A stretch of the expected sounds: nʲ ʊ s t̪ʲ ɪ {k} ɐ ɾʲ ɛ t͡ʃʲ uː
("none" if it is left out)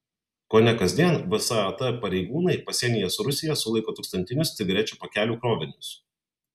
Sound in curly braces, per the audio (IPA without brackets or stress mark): ɡ